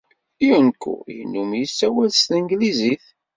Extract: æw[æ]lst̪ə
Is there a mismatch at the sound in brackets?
no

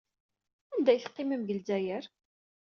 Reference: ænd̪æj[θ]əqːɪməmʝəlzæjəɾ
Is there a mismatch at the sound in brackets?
no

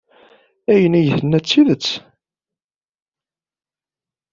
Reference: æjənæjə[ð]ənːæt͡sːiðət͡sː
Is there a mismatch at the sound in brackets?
yes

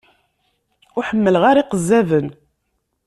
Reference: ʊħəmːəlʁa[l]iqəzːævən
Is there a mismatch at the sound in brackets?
yes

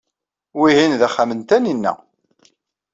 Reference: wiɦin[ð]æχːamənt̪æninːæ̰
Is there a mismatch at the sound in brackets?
no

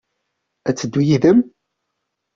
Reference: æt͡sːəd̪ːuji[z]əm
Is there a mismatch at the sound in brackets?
yes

